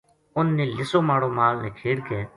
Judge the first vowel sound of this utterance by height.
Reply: high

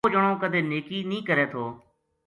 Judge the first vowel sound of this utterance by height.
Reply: mid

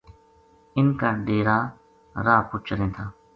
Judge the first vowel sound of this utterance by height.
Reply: high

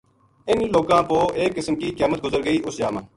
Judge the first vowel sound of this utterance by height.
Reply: high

